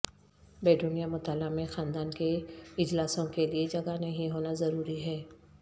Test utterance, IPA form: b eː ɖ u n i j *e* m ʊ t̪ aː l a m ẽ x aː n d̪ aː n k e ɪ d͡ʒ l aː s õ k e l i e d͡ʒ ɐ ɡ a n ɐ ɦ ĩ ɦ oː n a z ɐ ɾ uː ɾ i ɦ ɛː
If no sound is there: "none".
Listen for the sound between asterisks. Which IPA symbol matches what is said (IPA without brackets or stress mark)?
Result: a